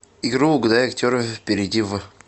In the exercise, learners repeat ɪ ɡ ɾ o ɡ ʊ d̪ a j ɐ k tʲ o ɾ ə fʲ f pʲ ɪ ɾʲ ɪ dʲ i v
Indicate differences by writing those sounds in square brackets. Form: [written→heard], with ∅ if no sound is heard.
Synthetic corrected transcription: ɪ ɡ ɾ [o→u] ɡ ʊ d̪ a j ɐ k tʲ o ɾ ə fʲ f pʲ ɪ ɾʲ ɪ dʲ i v

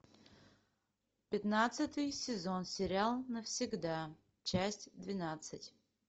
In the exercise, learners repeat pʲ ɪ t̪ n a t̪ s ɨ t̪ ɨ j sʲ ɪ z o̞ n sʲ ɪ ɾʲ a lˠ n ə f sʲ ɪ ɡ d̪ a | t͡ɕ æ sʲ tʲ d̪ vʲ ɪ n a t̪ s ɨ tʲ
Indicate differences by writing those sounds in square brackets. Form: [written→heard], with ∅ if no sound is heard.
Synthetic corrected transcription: pʲ ɪ t̪ n a t̪ s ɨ t̪ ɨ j sʲ ɪ z o̞ n sʲ ɪ ɾʲ a lˠ n ə f sʲ ɪ ɡ d̪ a | t͡ɕ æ sʲ tʲ d̪ vʲ ɪ n a t̪ s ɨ tʲ

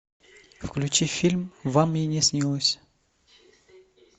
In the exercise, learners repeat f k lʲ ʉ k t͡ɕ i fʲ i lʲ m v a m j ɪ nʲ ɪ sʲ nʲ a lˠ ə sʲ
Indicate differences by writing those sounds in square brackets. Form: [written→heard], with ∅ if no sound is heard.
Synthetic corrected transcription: f k lʲ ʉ [k→∅] t͡ɕ i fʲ i lʲ m v a m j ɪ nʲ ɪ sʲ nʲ [a→i] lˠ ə sʲ

